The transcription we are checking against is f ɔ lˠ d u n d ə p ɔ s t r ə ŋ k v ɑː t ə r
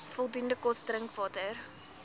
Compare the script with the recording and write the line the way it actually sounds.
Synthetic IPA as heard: f ɔ lˠ d u n d ə k ɔ s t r ə ŋ k v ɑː t ə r